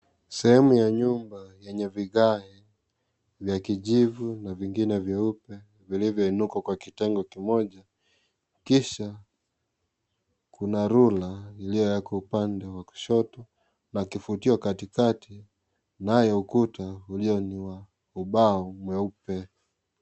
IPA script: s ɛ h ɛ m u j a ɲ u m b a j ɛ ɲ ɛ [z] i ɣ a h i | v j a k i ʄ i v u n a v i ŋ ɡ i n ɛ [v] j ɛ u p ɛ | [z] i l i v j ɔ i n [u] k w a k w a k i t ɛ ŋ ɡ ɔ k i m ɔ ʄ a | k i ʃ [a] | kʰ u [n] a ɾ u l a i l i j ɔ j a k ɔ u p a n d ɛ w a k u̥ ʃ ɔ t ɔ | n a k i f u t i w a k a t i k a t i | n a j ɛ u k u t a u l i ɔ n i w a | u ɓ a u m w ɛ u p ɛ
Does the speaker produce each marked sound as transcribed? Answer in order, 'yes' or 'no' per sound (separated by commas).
no, yes, no, yes, yes, yes